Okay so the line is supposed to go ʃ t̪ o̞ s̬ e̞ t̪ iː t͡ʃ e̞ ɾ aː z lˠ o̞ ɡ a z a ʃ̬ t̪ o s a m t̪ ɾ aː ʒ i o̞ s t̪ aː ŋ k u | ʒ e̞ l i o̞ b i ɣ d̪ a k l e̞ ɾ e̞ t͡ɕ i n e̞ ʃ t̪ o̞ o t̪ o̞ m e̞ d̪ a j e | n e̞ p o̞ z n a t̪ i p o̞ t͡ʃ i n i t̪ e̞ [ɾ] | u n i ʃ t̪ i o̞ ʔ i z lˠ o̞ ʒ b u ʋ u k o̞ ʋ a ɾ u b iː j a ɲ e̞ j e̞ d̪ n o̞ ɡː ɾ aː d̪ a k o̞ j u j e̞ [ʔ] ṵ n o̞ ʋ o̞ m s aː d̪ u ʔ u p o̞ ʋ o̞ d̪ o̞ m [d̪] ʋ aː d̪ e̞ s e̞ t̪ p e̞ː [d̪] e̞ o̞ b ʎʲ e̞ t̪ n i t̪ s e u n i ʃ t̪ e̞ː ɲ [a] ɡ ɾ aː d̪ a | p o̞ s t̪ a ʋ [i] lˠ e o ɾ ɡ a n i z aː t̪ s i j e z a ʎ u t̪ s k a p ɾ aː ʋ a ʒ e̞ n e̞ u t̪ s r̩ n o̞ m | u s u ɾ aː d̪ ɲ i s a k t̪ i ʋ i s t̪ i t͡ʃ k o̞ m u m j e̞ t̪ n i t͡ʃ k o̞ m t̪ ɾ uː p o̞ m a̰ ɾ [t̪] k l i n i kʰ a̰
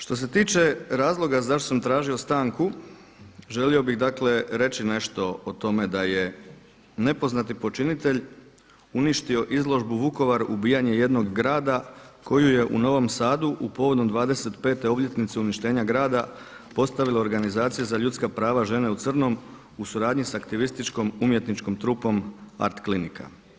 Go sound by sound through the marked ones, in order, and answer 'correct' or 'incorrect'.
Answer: incorrect: ʎ, correct, correct, incorrect: t̪, correct, correct, correct

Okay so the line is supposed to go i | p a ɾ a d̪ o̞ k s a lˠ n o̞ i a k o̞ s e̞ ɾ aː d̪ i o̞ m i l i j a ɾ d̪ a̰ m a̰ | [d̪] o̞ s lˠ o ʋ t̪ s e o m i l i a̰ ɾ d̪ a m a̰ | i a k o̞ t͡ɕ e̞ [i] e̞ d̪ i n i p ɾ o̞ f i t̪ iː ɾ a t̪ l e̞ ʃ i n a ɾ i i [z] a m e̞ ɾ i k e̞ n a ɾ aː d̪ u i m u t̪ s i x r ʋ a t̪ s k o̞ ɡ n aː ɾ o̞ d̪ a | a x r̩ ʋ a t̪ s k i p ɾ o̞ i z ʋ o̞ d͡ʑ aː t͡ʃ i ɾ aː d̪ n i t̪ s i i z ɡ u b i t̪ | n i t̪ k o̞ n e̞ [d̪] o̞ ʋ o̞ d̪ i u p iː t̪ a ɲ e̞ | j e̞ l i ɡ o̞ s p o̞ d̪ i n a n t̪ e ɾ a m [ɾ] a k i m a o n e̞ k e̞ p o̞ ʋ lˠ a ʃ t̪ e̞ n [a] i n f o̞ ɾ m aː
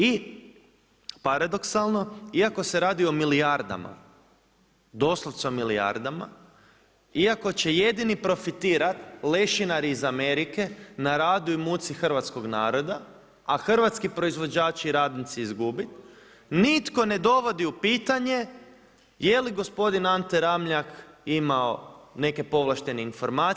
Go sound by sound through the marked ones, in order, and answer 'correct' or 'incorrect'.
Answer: correct, incorrect: j, correct, correct, incorrect: ʎ, incorrect: e

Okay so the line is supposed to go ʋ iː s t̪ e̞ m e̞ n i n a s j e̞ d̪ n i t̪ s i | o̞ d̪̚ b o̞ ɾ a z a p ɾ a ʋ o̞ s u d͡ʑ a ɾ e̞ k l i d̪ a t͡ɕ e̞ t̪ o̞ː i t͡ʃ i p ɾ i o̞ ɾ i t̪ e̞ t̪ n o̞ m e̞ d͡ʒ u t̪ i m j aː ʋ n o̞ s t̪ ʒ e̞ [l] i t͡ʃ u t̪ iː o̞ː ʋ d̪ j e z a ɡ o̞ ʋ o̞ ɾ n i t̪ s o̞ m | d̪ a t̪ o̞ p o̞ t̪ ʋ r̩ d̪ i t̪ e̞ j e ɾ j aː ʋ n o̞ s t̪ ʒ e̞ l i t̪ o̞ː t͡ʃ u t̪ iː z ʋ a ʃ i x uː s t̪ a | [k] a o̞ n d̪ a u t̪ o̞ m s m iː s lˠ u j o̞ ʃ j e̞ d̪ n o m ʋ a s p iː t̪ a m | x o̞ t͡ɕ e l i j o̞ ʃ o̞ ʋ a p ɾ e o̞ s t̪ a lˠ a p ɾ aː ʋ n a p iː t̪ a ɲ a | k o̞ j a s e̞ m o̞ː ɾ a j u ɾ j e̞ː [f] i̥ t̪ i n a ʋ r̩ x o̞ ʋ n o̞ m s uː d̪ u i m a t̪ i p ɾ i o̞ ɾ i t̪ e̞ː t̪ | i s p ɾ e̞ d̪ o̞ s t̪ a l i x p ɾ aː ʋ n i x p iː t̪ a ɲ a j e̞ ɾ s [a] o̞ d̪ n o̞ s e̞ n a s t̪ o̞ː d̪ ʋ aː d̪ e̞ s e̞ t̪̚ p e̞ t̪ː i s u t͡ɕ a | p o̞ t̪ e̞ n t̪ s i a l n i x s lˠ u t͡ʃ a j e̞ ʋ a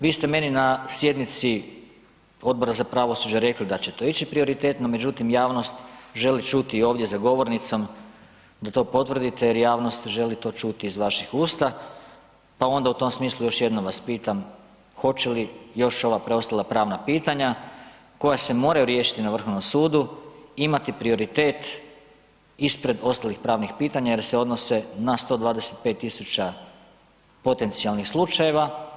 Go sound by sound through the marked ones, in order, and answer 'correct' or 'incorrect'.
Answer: correct, incorrect: p, incorrect: ʃ, incorrect: e

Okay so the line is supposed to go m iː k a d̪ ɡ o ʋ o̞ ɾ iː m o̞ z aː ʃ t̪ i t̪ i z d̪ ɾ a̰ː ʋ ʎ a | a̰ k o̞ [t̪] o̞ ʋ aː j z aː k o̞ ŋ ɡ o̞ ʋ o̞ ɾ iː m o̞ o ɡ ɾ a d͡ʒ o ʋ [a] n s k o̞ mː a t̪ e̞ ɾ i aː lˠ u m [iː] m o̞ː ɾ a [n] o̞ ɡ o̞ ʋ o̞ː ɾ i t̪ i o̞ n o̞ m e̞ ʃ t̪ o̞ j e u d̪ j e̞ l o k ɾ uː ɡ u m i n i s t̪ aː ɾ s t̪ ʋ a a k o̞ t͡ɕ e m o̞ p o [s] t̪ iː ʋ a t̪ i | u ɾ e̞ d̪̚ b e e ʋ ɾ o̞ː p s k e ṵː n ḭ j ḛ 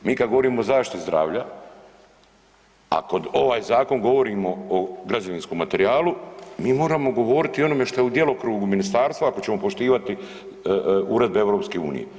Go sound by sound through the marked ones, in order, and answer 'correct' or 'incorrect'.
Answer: incorrect: d̪, incorrect: i, correct, incorrect: m, incorrect: ʃ

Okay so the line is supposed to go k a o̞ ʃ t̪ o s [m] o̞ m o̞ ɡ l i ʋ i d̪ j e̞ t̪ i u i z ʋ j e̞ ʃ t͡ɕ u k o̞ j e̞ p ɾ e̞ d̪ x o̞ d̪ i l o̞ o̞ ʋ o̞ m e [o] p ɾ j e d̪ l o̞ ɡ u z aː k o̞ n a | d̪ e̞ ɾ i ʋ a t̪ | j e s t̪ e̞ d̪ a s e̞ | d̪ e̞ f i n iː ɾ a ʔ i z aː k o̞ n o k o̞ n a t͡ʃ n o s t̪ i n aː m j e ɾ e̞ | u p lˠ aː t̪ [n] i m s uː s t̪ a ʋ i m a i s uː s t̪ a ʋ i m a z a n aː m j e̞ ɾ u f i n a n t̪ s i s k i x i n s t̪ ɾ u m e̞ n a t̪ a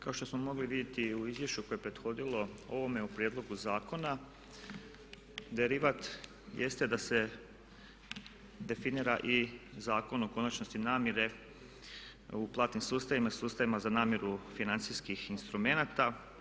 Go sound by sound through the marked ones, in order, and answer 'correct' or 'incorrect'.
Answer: correct, incorrect: u, correct

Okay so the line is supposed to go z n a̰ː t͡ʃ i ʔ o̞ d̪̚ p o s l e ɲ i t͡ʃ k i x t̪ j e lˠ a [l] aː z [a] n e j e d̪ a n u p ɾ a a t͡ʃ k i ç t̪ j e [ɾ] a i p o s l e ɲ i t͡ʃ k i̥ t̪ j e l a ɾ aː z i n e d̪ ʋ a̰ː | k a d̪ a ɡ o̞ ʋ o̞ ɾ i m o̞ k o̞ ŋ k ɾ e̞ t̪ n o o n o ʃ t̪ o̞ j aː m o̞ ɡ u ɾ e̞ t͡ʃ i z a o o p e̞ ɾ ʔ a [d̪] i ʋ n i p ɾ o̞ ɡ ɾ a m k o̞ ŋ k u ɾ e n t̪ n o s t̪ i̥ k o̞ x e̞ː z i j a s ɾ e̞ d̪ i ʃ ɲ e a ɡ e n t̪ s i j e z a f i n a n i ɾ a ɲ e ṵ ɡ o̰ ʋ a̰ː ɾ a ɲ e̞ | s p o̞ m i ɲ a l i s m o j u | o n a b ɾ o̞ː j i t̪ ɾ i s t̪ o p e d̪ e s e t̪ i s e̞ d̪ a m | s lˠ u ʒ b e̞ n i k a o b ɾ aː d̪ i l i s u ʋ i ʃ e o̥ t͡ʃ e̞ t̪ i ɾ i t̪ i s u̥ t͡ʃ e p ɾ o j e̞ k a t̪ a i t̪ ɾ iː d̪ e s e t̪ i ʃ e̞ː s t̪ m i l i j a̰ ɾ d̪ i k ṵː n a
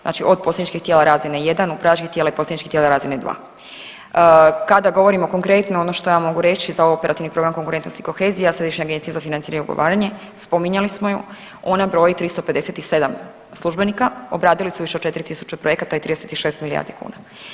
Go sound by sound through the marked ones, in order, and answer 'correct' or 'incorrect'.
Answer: incorrect: ɾ, incorrect: i, incorrect: l, incorrect: t̪

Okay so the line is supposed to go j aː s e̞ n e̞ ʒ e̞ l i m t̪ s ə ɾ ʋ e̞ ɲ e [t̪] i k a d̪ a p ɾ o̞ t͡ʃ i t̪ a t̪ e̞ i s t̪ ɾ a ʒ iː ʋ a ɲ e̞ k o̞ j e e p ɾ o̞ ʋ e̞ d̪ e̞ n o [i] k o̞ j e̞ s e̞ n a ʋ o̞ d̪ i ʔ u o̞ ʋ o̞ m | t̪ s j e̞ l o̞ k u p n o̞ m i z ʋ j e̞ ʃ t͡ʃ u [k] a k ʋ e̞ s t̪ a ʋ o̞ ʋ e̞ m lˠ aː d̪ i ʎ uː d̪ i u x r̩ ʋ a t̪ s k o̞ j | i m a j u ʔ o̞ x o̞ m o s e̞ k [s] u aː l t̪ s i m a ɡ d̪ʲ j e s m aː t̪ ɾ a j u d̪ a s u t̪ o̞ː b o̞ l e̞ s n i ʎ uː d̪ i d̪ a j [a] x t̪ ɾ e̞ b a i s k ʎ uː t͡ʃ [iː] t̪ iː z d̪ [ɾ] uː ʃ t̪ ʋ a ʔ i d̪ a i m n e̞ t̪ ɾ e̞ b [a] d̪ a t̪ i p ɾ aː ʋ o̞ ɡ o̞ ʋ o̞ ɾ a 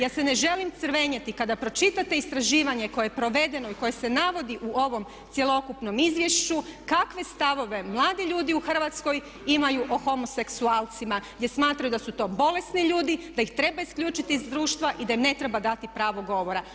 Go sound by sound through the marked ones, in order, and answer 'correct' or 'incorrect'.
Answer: correct, correct, correct, correct, incorrect: i, incorrect: i, correct, correct

